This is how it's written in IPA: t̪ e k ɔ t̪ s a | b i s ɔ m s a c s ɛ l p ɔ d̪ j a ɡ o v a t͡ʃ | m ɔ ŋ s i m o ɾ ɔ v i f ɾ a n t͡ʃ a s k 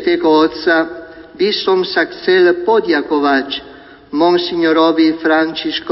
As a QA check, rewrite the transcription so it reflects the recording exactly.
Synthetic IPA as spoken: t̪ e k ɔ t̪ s a | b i s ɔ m s a k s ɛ l p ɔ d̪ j a k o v a t͡ʃ | m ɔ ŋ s i ɲ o ɾ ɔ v i f ɾ a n t͡ʃ i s k